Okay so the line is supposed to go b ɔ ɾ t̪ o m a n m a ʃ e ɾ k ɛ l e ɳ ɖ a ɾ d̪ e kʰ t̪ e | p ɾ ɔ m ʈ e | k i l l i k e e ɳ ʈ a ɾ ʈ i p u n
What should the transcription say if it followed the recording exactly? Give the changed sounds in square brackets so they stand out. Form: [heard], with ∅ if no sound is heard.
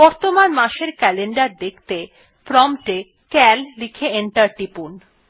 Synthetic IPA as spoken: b ɔ ɾ t̪ o m a n m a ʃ e ɾ k ɛ l e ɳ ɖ a ɾ d̪ e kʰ t̪ e | p ɾ ɔ m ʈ e | k [ɛ] l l i [kʰ] e e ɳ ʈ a ɾ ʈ i p u n